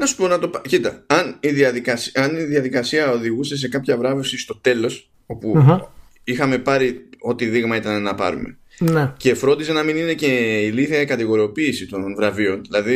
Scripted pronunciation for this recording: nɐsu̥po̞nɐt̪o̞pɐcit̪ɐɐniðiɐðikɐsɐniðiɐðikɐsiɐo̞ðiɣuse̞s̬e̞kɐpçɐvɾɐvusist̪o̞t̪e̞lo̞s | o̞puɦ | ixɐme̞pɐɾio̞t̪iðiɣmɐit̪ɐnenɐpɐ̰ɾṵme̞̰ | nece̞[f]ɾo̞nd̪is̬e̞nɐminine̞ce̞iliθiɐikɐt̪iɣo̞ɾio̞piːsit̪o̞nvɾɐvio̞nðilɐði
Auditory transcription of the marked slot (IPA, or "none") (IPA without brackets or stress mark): f